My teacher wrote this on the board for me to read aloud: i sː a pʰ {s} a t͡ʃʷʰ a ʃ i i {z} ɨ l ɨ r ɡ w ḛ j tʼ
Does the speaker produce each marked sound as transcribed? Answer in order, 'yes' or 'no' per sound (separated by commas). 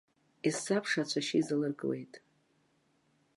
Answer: no, yes